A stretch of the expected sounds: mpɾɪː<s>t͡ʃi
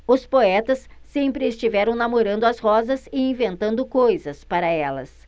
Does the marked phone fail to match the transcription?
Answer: no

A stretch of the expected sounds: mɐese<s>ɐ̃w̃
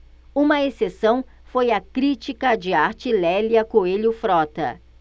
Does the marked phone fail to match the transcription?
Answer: no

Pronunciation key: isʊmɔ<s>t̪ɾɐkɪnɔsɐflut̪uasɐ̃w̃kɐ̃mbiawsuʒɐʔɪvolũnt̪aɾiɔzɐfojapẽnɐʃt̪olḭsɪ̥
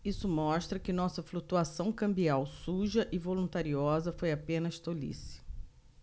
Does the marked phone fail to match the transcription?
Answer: yes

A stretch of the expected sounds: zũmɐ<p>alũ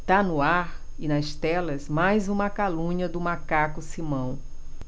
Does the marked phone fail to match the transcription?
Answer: yes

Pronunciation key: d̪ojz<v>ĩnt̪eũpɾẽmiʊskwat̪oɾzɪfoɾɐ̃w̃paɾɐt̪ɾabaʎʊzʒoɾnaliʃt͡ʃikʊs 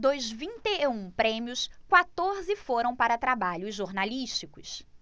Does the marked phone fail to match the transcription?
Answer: no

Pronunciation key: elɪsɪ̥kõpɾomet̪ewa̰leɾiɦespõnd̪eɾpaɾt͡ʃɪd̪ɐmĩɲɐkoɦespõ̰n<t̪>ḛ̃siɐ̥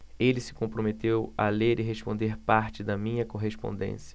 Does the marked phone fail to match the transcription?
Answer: yes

